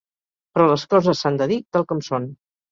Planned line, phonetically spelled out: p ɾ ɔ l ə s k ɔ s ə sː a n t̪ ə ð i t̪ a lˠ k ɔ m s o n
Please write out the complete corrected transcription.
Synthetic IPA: p ɾ ɔ l ə s k ɔ z ə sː a n d̪ ə ð i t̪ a lˠ k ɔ m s o n